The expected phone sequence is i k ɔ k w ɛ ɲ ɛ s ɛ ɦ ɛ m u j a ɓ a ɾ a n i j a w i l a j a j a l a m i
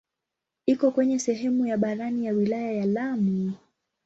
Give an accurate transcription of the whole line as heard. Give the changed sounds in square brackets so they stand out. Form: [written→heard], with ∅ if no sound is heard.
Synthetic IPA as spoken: i k ɔ k w ɛ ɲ ɛ s ɛ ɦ ɛ m u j a ɓ a ɾ a n i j a w i l a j a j a l a m i